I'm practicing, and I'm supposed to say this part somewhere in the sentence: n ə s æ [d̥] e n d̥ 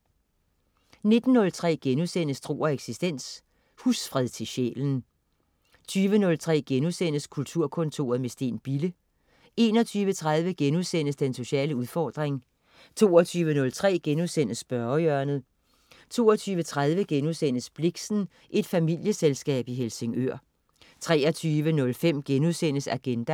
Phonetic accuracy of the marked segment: incorrect: ɡ̥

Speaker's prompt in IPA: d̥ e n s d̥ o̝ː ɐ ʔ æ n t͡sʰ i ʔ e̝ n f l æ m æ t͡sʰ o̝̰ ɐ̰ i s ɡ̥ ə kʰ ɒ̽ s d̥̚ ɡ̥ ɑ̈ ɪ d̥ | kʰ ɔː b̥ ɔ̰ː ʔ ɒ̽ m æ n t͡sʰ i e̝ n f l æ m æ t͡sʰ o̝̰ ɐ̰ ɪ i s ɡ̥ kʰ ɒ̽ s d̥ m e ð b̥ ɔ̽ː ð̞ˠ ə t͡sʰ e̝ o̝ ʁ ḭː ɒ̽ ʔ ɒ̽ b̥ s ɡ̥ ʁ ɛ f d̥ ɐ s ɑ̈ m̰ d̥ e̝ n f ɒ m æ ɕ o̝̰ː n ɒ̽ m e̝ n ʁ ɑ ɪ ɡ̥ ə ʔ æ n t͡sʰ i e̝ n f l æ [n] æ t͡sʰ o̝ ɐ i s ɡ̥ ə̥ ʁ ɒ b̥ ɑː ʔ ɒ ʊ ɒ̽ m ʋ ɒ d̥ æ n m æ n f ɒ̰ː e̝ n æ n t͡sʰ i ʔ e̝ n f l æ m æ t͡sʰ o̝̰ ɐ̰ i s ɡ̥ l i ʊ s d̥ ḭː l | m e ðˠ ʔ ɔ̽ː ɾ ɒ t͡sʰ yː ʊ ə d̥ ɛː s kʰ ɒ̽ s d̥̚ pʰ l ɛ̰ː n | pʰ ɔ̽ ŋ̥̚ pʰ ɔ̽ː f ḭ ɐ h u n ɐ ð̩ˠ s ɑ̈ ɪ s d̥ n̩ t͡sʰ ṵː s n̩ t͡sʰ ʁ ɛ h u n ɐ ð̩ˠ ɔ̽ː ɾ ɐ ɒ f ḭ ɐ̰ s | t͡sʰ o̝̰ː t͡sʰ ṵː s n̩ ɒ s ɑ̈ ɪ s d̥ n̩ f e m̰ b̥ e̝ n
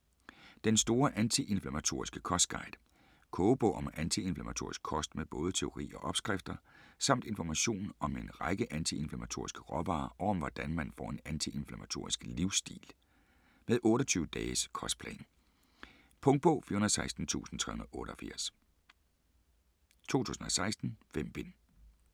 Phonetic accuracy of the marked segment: incorrect: m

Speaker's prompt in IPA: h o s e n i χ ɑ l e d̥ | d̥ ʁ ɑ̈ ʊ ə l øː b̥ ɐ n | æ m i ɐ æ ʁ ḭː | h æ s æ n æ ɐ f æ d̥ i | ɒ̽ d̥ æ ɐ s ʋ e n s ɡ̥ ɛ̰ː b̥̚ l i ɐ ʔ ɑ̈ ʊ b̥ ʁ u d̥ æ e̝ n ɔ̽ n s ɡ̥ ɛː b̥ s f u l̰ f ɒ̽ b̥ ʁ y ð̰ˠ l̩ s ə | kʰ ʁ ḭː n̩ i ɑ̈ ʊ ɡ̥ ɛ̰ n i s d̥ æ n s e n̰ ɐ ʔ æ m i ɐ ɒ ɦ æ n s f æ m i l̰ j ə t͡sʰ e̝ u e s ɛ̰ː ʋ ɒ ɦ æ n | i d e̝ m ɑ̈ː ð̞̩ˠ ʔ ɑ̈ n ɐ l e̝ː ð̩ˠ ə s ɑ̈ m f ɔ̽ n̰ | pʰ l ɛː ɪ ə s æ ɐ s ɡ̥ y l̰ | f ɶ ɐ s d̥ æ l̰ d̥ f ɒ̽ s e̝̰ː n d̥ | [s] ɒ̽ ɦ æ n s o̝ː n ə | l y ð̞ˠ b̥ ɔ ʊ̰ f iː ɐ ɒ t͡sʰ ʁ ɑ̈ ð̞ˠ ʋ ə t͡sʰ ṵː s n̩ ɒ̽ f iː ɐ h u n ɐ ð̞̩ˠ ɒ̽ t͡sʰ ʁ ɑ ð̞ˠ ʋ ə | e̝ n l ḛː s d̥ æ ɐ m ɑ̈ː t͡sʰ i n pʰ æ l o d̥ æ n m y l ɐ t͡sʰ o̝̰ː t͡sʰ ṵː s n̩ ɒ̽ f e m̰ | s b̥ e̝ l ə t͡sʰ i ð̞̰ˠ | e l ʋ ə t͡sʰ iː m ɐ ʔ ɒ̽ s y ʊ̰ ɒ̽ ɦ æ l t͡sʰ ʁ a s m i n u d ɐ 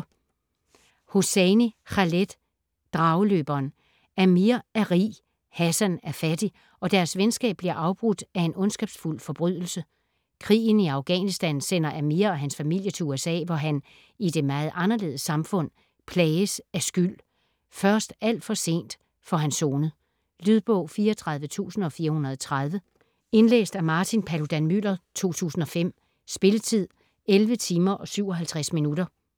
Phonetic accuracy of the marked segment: incorrect: f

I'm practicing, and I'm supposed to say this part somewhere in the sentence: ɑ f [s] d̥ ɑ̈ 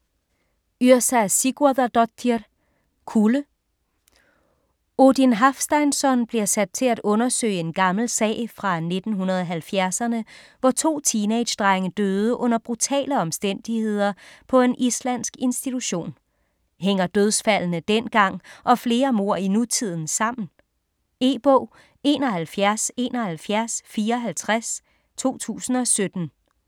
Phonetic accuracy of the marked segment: correct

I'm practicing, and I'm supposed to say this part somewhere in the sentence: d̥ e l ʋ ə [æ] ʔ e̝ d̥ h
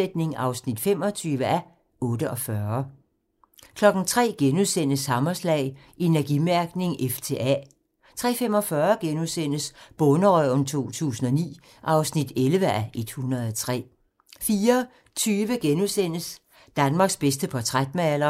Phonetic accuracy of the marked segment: correct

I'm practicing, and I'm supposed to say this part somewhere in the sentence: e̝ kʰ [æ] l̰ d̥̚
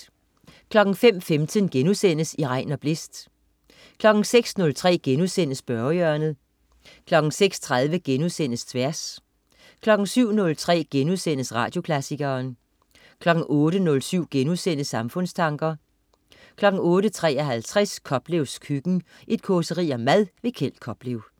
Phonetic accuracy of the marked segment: incorrect: e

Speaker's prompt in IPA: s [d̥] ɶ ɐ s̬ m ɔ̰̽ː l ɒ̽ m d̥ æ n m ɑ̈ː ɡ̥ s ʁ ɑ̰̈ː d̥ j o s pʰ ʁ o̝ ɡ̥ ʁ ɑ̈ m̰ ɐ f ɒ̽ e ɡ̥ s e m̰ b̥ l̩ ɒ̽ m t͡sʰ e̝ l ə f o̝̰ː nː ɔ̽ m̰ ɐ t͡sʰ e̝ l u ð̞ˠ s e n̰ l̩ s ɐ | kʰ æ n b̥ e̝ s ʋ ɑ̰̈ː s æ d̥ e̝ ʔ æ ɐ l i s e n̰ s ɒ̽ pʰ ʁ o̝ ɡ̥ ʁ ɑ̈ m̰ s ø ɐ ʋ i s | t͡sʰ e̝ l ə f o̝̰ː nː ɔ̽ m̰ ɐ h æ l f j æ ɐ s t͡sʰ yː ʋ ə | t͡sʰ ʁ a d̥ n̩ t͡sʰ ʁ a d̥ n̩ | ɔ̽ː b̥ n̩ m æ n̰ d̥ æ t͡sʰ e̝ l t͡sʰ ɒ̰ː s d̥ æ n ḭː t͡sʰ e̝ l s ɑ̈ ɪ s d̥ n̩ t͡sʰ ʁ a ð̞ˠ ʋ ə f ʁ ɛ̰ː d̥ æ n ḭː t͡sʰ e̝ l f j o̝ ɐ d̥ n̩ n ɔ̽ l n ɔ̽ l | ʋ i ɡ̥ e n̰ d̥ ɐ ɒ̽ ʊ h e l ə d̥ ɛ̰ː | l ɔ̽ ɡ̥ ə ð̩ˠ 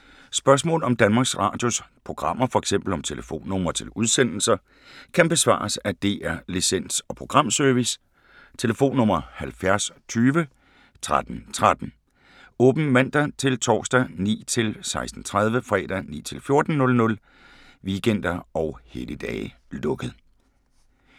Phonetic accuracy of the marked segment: incorrect: b̥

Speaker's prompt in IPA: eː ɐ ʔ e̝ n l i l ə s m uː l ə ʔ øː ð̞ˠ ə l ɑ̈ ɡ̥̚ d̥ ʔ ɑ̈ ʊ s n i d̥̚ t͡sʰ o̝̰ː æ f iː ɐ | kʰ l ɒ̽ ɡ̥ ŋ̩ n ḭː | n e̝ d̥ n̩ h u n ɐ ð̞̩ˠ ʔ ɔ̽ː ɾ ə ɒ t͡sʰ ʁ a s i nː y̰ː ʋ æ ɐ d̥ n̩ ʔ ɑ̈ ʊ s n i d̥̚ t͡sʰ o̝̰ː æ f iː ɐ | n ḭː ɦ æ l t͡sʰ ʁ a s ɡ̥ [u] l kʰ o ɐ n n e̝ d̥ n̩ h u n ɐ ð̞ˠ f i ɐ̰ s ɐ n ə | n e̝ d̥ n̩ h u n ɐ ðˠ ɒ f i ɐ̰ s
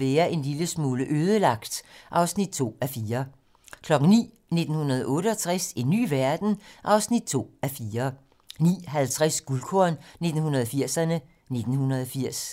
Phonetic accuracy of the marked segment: correct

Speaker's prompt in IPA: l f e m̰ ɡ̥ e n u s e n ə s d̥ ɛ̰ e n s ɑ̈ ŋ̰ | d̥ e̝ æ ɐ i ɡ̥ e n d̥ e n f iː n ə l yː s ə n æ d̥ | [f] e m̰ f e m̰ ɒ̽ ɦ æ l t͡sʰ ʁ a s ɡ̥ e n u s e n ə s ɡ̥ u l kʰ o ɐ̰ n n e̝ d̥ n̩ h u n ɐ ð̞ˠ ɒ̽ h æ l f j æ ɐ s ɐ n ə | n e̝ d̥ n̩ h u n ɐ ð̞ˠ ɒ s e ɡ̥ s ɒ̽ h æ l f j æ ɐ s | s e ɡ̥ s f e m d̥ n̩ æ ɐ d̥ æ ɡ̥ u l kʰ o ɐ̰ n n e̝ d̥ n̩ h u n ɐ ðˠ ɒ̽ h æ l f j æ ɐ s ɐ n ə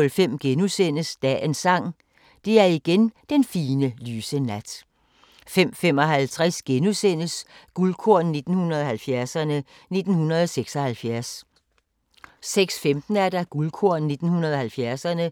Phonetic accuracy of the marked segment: correct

